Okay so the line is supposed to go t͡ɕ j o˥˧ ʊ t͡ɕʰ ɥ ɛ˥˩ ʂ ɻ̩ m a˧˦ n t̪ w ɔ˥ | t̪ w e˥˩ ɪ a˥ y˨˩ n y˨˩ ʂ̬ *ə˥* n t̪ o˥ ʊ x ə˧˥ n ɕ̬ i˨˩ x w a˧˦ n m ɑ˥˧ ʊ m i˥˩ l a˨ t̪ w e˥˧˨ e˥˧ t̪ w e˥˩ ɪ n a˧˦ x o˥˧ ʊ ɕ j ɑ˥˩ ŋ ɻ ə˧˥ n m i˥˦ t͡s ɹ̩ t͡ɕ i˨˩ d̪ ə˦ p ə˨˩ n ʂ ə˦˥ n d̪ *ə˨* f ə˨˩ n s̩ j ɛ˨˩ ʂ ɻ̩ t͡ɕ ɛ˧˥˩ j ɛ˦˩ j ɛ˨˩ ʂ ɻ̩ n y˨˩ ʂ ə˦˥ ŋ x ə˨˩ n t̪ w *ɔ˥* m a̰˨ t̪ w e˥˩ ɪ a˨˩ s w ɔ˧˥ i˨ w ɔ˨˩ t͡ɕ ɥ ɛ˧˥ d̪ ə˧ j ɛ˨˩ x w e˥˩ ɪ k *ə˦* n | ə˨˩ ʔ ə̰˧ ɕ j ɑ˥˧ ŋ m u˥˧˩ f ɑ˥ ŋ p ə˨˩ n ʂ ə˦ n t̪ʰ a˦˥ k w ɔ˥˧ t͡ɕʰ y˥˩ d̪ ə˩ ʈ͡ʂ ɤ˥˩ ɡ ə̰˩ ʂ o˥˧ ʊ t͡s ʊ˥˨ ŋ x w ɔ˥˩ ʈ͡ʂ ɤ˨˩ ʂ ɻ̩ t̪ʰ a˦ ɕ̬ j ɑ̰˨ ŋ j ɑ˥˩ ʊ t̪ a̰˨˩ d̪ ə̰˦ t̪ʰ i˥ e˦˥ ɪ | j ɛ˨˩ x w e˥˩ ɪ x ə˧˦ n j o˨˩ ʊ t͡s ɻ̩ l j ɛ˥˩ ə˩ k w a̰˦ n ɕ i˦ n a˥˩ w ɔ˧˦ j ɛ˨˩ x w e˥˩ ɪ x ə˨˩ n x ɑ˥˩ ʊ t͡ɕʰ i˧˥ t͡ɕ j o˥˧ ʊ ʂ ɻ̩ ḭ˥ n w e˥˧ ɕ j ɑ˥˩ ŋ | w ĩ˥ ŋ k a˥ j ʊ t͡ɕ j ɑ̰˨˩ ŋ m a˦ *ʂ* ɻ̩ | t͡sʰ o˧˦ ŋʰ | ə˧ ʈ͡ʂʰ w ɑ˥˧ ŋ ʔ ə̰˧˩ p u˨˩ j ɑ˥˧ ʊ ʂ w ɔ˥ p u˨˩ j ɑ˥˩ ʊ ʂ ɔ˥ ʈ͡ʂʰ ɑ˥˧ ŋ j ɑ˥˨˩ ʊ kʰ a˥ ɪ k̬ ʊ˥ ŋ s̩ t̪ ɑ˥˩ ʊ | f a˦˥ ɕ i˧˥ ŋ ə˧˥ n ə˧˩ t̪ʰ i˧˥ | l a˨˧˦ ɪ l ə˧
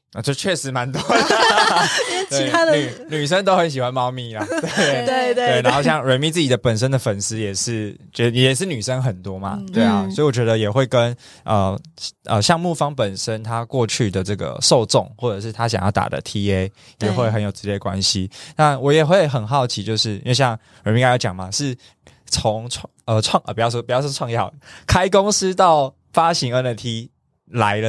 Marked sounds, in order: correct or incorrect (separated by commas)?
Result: correct, correct, correct, correct, correct